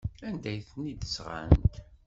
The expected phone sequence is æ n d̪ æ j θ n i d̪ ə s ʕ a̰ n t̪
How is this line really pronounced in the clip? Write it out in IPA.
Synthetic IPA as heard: æ n d̪ æ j θ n i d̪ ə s ʁ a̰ n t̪